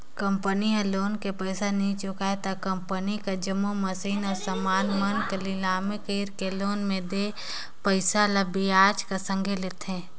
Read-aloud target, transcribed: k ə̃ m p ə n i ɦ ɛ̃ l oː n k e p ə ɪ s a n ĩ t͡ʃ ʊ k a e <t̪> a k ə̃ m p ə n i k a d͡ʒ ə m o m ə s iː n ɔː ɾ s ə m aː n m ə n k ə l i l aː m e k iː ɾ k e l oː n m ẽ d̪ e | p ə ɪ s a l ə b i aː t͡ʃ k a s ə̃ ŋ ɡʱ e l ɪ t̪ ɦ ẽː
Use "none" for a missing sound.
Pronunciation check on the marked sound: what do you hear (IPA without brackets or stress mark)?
t̪